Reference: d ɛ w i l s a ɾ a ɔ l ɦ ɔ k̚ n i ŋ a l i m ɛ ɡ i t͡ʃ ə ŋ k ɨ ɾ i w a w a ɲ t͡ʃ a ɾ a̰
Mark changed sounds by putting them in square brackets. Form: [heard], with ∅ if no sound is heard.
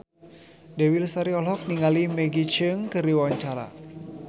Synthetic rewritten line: d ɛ w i l s a ɾ [i] ɔ l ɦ ɔ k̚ n i ŋ a l i m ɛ ɡ i t͡ʃ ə ŋ k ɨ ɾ i w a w a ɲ t͡ʃ a ɾ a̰